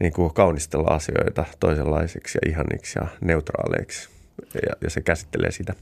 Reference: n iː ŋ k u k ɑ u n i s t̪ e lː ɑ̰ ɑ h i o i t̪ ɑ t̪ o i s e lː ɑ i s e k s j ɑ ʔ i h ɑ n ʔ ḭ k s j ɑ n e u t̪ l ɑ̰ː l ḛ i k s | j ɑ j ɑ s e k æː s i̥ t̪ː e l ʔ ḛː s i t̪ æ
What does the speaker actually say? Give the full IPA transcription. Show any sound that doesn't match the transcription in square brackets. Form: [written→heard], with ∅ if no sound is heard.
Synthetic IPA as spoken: n iː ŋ k u k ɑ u n i s t̪ e lː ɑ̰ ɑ [h→s] i o i t̪ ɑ t̪ o i s e lː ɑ i s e k s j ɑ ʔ i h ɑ n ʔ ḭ k s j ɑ n e u t̪ [l→r] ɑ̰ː l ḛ i k s | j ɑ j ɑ s e k [æː→æ] s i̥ t̪ː e l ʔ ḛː s i t̪ æ